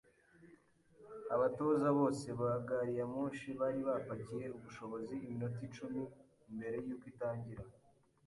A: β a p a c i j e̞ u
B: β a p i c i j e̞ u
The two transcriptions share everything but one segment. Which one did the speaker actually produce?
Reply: A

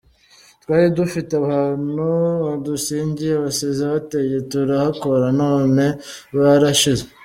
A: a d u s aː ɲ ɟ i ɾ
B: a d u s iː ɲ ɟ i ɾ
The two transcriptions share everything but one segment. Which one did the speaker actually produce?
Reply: B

